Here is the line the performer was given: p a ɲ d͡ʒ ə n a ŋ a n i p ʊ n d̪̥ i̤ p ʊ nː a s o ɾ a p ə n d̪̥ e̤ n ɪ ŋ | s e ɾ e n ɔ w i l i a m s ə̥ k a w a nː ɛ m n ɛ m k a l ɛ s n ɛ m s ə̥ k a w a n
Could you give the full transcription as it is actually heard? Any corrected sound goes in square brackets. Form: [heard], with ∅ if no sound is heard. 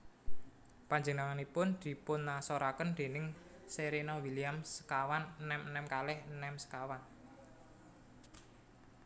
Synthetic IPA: p a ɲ d͡ʒ ə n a ŋ a n i p ʊ n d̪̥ i̤ p ʊ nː a s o ɾ a [k] ə n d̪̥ e̤ n ɪ ŋ | s e ɾ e n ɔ w i l i a m s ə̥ k a w a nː ɛ m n ɛ m k a l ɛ [h] n ɛ m s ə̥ k a w a n